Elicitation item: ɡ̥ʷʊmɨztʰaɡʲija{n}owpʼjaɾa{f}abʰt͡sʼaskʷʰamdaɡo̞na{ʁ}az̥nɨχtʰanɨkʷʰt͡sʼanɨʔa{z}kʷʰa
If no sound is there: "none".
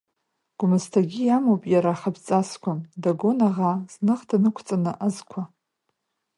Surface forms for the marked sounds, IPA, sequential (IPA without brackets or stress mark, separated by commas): m, χ, ʁ, z